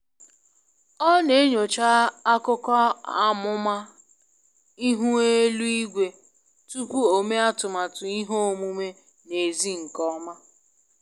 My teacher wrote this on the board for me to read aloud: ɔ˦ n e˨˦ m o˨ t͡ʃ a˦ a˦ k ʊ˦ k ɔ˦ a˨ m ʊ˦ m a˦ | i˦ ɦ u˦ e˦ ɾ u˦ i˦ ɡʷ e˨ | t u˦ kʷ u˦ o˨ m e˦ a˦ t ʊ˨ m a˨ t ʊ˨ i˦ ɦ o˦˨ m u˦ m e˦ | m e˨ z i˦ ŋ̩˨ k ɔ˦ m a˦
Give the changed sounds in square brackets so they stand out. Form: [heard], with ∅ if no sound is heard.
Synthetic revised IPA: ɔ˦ n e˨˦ [ɲ] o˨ t͡ʃ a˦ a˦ k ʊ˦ k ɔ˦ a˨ m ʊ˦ m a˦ | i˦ ɦ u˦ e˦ [l] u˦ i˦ ɡʷ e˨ | t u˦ kʷ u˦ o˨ m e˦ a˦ t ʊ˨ m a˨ t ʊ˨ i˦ ɦ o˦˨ m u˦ m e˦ | [n] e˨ z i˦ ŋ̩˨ k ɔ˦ m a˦